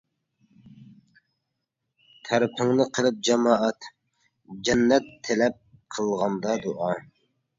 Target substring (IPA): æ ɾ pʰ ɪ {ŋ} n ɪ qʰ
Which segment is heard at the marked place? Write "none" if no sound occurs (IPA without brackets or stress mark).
ŋ